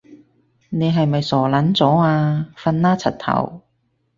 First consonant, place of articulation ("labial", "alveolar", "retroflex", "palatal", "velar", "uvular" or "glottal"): alveolar